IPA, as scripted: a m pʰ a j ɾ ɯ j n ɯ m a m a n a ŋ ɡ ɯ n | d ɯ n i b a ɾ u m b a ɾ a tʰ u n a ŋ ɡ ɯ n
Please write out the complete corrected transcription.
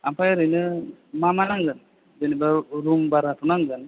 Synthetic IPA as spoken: a m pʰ a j ɾ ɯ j n ɯ m a m a n a ŋ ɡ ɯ n | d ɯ n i b a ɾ u m b a ɾ a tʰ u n a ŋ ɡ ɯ n